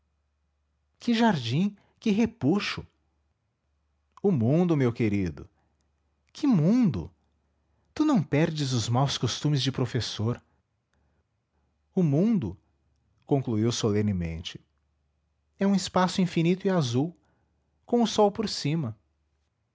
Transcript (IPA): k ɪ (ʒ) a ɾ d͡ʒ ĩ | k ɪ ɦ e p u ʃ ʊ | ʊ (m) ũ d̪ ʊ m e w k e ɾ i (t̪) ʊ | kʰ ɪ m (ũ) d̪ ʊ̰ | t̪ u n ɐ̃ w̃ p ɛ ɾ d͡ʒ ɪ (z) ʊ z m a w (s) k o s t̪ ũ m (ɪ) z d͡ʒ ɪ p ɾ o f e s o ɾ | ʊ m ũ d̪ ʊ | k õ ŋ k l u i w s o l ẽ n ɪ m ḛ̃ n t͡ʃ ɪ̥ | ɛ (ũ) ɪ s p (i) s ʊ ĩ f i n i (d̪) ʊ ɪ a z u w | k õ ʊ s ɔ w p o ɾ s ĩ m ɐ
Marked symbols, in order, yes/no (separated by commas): yes, yes, no, yes, yes, yes, yes, yes, no, no